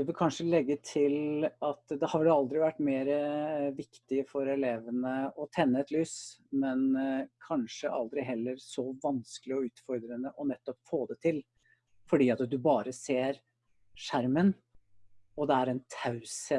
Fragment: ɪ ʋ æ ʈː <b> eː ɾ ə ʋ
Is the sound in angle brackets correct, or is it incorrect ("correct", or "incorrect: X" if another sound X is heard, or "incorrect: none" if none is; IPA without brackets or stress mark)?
incorrect: m